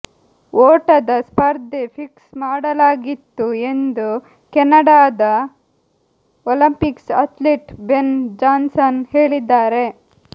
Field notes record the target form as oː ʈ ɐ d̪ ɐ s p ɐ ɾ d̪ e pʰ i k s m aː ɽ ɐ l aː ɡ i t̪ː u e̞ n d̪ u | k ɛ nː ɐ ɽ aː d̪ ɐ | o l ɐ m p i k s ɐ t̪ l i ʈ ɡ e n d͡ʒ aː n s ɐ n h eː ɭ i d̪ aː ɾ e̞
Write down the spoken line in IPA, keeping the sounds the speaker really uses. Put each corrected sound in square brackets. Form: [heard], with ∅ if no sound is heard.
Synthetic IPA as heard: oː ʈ ɐ d̪ ɐ s p ɐ ɾ d̪ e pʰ i k s m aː ɽ ɐ l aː ɡ i t̪ː u e̞ n d̪ u | k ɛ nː ɐ ɽ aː d̪ ɐ | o l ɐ m p i k s ɐ t̪ l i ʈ [b] e n d͡ʒ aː n s ɐ n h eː ɭ i [d̪ː] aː ɾ e̞